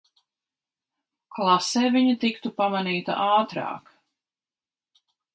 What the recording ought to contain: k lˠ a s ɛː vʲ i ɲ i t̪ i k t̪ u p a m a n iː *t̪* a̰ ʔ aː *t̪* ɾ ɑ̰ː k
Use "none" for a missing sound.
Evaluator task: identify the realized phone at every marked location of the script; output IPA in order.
t̪, t̪

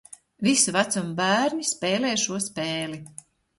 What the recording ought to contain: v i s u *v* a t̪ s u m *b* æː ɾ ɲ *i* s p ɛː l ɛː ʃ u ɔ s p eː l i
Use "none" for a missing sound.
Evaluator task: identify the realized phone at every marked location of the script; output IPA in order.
v, b, i

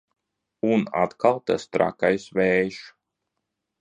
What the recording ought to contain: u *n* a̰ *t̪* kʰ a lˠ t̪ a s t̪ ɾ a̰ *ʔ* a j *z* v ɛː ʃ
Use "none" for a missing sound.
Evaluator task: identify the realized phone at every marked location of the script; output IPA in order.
n, t̪, k, s

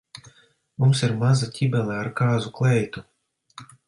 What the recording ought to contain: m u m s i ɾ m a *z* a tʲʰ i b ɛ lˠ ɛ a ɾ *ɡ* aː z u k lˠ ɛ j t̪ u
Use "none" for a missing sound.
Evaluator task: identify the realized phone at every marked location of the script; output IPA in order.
z, k

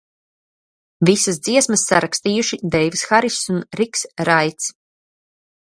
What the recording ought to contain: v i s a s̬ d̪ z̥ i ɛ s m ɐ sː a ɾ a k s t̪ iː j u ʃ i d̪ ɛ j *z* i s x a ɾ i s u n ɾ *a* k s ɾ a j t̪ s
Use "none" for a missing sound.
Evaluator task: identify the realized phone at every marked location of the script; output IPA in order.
v, i

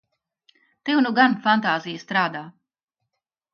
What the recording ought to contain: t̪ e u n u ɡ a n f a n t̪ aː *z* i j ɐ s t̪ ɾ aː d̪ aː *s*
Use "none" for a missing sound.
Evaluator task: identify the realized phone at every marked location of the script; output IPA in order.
z, none

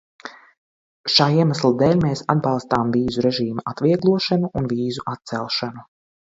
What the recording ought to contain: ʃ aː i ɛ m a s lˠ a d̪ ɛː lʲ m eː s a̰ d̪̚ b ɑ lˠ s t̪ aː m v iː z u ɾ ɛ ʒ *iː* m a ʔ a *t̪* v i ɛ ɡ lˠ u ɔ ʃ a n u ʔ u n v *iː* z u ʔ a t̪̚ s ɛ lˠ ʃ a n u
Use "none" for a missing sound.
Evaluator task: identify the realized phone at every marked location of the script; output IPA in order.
iː, t̪, iː

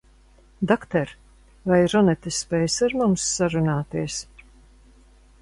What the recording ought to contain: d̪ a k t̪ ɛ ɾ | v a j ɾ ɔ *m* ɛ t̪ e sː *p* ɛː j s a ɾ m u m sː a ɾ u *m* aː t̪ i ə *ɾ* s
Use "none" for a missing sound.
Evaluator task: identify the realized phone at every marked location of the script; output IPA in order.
n, p, n, none

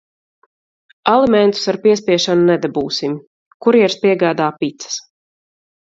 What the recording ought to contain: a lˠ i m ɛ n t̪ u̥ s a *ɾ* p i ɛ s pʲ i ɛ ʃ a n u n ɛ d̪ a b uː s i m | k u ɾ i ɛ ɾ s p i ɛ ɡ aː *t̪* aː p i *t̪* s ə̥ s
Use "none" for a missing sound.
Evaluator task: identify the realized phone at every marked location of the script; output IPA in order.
ɾ, d̪, t̪

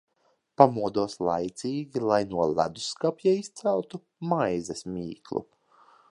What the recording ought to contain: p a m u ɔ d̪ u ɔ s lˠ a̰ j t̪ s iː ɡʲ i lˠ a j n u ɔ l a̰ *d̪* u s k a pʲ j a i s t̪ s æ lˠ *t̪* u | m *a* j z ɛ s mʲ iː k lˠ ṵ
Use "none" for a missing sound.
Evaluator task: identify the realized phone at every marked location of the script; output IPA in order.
d̪, t̪, a

